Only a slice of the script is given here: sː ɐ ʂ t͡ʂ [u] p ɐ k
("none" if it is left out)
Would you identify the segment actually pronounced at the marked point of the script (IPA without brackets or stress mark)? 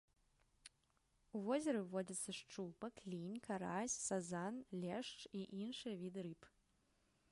u